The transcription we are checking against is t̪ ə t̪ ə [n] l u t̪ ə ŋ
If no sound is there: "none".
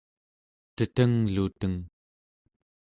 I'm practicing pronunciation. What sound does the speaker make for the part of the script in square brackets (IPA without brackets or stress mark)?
ŋ